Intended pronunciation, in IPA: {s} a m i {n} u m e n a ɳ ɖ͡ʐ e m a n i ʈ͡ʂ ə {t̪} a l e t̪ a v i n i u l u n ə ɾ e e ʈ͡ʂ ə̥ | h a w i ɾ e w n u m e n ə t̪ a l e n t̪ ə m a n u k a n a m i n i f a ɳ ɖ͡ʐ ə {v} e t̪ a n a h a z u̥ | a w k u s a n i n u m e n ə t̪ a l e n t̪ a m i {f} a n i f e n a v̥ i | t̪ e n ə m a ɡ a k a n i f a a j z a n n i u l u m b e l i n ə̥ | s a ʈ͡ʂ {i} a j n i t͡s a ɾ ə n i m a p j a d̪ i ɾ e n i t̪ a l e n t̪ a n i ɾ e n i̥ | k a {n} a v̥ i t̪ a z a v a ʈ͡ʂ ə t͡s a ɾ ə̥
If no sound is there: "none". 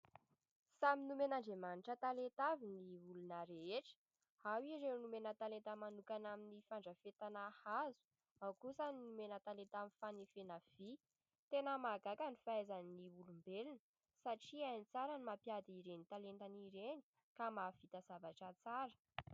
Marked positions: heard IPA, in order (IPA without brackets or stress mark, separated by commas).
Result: s, n, t̪, f, f, i, m